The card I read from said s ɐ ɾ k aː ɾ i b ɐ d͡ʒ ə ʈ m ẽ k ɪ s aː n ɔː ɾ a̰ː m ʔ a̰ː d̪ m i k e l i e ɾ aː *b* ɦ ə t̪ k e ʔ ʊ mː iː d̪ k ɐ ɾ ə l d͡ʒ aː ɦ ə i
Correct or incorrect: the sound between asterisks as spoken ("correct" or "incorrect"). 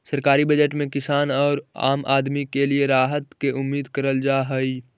incorrect